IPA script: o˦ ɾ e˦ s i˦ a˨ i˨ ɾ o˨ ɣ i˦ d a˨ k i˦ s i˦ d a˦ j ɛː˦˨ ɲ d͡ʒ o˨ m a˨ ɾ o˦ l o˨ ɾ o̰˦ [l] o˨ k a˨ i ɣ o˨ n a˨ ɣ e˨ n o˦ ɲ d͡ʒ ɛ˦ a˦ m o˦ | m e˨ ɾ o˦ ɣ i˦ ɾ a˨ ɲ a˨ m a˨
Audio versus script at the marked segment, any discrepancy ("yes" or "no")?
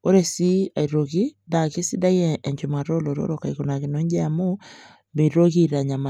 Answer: yes